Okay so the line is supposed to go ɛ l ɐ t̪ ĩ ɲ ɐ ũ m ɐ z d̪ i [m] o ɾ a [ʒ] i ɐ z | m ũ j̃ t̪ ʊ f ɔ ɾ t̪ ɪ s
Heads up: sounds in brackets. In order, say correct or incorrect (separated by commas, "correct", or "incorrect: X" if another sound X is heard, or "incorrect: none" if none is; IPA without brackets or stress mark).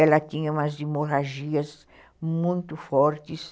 correct, correct